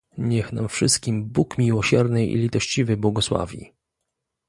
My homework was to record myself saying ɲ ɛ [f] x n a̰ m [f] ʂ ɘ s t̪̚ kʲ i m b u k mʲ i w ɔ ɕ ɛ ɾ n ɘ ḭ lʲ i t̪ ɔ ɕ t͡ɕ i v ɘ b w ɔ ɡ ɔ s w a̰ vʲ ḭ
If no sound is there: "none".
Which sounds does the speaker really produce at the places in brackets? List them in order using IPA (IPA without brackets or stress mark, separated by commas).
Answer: none, f